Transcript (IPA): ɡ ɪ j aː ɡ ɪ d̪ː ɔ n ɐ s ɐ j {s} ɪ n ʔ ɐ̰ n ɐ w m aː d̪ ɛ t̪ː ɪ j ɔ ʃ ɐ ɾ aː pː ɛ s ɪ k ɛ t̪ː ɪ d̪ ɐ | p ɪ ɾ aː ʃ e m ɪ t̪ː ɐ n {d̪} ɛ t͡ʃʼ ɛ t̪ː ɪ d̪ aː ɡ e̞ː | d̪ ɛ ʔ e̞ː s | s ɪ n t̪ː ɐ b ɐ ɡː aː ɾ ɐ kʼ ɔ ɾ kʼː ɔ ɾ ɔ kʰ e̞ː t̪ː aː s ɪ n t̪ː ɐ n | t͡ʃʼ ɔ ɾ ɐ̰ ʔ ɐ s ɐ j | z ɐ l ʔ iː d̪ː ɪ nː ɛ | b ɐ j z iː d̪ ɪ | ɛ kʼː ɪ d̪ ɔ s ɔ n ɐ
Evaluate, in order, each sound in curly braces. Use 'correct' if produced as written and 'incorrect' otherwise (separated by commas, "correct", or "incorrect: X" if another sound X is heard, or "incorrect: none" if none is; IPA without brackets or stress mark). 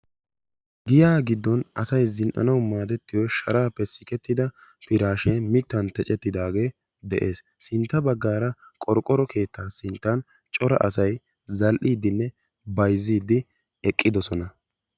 incorrect: z, incorrect: t̪